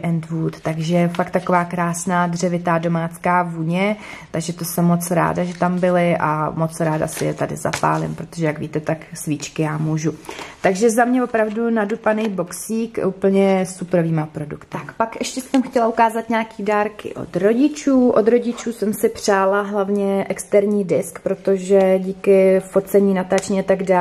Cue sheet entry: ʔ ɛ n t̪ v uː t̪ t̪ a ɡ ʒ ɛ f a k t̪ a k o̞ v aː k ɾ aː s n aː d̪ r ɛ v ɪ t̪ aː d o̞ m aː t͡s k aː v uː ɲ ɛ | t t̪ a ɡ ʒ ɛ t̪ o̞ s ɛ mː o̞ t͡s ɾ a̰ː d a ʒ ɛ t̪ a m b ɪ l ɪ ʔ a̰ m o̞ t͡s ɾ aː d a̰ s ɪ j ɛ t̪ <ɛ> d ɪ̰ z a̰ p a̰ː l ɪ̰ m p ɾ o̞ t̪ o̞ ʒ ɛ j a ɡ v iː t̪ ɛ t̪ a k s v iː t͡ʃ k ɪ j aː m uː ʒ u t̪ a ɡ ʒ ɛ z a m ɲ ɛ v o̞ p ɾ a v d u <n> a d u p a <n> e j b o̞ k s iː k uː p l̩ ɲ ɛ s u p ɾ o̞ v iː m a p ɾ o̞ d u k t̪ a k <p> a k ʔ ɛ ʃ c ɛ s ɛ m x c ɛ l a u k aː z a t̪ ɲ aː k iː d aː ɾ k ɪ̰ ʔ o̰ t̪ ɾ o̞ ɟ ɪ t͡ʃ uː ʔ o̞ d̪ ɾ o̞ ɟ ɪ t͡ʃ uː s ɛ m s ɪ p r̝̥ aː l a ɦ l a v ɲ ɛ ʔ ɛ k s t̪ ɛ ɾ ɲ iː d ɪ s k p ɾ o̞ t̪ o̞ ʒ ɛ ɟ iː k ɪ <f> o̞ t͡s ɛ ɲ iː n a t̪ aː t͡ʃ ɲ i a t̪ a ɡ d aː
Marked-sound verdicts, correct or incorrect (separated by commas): incorrect, correct, correct, correct, correct